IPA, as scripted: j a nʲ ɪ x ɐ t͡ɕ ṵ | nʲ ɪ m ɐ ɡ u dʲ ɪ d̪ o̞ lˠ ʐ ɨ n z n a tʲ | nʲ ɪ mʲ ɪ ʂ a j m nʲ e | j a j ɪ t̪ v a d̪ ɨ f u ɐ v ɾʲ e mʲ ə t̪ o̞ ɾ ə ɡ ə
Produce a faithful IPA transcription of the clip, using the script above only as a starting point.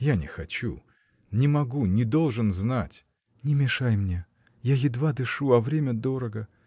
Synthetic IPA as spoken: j a nʲ ɪ x ɐ t͡ɕ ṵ | nʲ ɪ m ɐ ɡ u nʲ ɪ d̪ o̞ lˠ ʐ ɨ n z n a tʲ | nʲ ɪ mʲ ɪ ʂ a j m nʲ e | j a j ɪ d̪ v a d̪ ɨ ʂ u ɐ v ɾʲ e mʲ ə d̪ o̞ ɾ ə ɡ ə